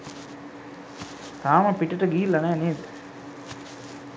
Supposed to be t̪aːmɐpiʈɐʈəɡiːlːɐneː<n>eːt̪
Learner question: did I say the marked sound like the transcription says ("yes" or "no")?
yes